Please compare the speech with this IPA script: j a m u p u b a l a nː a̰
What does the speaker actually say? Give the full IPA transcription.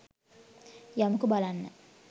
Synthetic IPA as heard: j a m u k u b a l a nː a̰